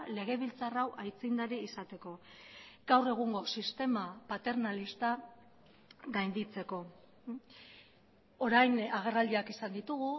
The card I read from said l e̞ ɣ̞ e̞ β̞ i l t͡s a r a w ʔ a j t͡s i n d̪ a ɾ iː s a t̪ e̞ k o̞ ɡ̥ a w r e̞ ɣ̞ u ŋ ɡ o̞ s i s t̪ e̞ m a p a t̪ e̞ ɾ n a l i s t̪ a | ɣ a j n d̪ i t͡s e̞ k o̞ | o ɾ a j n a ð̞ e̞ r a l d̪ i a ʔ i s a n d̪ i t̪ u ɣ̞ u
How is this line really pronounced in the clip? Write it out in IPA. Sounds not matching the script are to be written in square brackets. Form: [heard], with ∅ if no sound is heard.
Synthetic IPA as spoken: l e̞ ɣ̞ e̞ β̞ i l t͡s a r a w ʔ a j t͡s i n d̪ a ɾ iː s a t̪ e̞ k o̞ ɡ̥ a w r e̞ ɣ̞ u ŋ ɡ o̞ s i s t̪ e̞ m a p a t̪ e̞ ɾ n a l i s t̪ a | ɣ a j n d̪ i t͡s e̞ k o̞ | o ɾ a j n a [ɣ̞] e̞ r a l d̪ i a [k] i s a n d̪ i t̪ u ɣ̞ u

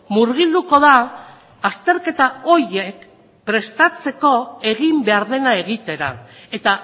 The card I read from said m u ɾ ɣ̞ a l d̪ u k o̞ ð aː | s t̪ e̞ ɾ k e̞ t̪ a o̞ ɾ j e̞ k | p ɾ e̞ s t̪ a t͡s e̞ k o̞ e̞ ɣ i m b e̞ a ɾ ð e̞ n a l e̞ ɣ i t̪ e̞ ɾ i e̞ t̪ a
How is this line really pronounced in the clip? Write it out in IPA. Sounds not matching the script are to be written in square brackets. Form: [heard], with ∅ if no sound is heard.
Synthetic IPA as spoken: m u ɾ ɣ̞ [i] l d̪ u k o̞ ð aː | s t̪ e̞ ɾ k e̞ t̪ a o̞ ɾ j e̞ k | p ɾ e̞ s t̪ a t͡s e̞ k o̞ e̞ ɣ i m b e̞ a ɾ ð e̞ n a [∅] e̞ ɣ i t̪ e̞ ɾ [a] e̞ t̪ a

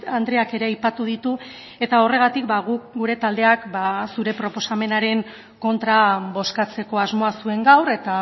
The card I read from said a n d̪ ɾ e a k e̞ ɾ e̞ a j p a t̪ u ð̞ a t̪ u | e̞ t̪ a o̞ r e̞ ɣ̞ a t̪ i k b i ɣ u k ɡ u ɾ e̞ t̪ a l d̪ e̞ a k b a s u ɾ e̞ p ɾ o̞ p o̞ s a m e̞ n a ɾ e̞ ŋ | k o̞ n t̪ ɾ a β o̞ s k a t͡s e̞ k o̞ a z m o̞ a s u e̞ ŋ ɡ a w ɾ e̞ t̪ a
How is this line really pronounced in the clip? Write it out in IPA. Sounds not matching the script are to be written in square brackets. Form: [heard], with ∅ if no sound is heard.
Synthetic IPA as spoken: a n d̪ ɾ e a k e̞ ɾ e̞ a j p a t̪ u ð̞ [i] t̪ u | e̞ t̪ a o̞ r e̞ ɣ̞ a t̪ i k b [a] ɣ u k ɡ u ɾ e̞ t̪ a l d̪ e̞ a k b a s u ɾ e̞ p ɾ o̞ p o̞ s a m e̞ n a ɾ e̞ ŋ | k o̞ n t̪ ɾ a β o̞ s k a t͡s e̞ k o̞ a z m o̞ a s u e̞ ŋ ɡ a w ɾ e̞ t̪ a

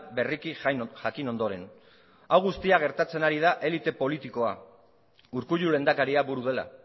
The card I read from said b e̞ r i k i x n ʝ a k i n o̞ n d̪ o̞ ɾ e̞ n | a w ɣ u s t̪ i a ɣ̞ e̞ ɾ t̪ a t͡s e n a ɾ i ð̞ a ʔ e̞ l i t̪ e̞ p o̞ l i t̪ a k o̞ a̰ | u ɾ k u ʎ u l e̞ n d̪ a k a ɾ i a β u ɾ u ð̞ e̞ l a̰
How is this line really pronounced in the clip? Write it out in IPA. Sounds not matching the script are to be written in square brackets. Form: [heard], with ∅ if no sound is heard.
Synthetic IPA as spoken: b e̞ r i k i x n ʝ a k i n o̞ n d̪ o̞ ɾ e̞ n | a w ɣ u s t̪ i a ɣ̞ e̞ ɾ t̪ a t͡s e n a ɾ i ð̞ a ʔ e̞ l i t̪ e̞ p o̞ l i t̪ [i] k o̞ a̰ | u ɾ k u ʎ u l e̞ n d̪ a k a ɾ i a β u ɾ u ð̞ e̞ l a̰

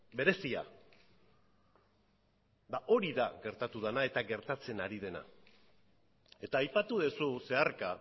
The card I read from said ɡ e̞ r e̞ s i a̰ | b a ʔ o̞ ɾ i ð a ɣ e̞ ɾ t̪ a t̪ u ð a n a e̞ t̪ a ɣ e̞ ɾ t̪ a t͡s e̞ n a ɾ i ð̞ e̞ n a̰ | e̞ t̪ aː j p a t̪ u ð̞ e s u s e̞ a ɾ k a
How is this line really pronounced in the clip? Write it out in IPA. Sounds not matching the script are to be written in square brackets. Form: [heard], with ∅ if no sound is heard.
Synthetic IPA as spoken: [b] e̞ [ɾ] e̞ s i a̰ | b a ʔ o̞ ɾ i ð a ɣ e̞ ɾ t̪ a t̪ u ð a n a e̞ t̪ a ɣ e̞ ɾ t̪ a t͡s e̞ n a ɾ i ð̞ e̞ n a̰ | e̞ t̪ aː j p a t̪ u ð̞ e s u s e̞ a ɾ k a

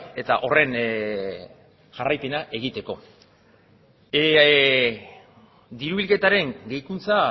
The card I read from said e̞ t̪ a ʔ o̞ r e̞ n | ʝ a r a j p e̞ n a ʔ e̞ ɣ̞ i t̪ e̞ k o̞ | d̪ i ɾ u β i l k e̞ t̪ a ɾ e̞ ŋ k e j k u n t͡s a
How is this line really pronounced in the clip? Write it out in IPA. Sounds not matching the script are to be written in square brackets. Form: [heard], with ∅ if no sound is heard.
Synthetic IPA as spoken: e̞ t̪ a ʔ o̞ r e̞ n | ʝ a r a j p e̞ n a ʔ e̞ ɣ̞ i t̪ e̞ k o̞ | d̪ i ɾ u β i l k e̞ t̪ a ɾ e̞ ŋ [ɡ] e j k u n t͡s a

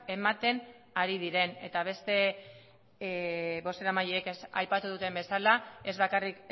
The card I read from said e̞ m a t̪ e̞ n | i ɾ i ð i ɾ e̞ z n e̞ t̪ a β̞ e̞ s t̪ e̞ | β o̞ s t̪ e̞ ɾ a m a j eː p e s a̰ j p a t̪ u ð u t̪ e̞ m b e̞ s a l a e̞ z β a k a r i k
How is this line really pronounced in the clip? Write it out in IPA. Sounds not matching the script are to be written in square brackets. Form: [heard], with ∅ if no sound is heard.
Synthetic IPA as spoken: e̞ m a t̪ e̞ n | [a] ɾ i ð i ɾ e̞ [∅] n e̞ t̪ a β̞ e̞ s t̪ e̞ | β o̞ s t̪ e̞ ɾ a m a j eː [k] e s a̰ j p a t̪ u ð u t̪ e̞ m b e̞ s a l a e̞ z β a k a r i k

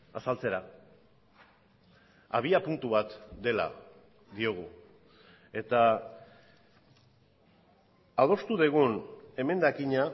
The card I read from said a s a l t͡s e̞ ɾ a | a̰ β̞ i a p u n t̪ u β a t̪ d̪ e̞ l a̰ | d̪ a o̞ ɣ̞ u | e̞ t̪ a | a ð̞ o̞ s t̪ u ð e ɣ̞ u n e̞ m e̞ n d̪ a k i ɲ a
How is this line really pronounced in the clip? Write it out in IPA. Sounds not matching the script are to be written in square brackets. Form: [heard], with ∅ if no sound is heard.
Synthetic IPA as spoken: a s a l t͡s e̞ ɾ a | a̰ β̞ i a p u n t̪ u β a t̪ d̪ e̞ l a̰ | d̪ [i] o̞ ɣ̞ u | e̞ t̪ a | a ð̞ o̞ s t̪ u ð e ɣ̞ u n e̞ m e̞ n d̪ a k i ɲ a

